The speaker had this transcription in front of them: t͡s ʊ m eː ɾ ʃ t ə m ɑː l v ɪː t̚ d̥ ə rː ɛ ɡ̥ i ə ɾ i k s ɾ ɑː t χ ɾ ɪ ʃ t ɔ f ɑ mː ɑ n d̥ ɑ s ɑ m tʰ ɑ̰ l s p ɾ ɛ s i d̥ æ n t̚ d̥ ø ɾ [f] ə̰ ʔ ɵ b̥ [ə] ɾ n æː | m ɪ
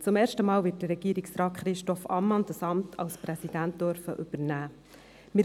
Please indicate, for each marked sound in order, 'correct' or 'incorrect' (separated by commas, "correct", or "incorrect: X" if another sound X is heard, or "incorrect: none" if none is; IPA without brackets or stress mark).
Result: correct, correct